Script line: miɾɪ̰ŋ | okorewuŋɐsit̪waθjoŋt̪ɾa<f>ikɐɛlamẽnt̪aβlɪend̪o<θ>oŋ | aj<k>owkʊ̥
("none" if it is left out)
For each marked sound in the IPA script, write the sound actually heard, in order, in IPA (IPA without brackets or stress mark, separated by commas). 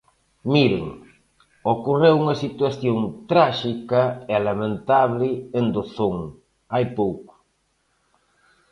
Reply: ʃ, θ, p